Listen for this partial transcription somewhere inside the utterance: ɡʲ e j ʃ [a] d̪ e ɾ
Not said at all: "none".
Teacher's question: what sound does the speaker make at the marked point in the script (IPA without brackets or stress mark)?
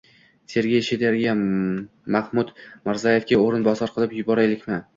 e